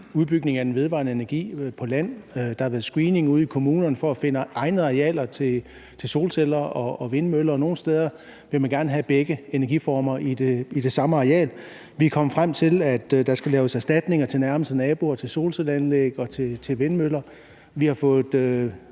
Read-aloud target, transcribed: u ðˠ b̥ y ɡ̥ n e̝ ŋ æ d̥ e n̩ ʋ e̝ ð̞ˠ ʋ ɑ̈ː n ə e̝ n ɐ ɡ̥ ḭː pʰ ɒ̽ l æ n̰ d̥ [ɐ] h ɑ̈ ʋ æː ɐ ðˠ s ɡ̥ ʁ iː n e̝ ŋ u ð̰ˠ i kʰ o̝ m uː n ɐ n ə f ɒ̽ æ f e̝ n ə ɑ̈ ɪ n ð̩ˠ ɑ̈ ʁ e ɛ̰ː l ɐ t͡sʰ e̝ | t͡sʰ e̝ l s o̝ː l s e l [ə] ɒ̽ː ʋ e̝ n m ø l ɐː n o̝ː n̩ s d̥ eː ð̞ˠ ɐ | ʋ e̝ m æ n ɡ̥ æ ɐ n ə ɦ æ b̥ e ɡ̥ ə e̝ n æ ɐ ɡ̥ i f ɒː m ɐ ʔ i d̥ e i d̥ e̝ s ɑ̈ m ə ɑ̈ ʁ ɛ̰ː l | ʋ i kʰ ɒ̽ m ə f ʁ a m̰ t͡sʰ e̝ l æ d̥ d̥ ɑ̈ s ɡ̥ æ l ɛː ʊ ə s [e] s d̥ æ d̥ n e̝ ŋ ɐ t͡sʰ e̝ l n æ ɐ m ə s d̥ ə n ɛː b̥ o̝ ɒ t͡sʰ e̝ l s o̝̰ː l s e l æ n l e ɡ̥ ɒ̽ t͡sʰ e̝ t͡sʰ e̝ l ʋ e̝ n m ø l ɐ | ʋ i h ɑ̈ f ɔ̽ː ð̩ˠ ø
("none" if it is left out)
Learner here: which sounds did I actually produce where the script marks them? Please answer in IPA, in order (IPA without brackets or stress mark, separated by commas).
ɑ, ɐ, æ